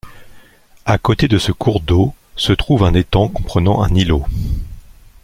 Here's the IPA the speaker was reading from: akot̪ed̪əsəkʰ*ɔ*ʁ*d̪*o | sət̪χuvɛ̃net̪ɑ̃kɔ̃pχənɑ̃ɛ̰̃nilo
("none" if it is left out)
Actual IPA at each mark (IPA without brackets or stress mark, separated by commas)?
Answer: u, d̪